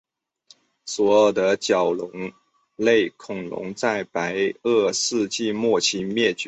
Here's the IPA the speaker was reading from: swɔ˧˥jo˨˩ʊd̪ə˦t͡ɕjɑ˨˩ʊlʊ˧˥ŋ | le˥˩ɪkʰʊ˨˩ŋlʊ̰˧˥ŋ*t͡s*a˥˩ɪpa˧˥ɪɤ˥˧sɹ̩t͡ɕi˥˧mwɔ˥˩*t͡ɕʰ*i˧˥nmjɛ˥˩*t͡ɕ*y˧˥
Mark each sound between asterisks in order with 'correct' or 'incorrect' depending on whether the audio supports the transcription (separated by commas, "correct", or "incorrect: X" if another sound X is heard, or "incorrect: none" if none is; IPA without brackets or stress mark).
correct, correct, correct